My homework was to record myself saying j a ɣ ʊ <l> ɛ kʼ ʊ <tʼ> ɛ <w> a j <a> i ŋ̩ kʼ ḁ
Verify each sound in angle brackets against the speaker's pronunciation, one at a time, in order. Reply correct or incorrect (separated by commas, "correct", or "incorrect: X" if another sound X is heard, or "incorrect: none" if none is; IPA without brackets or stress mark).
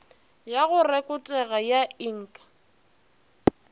incorrect: r, correct, incorrect: ɣ, correct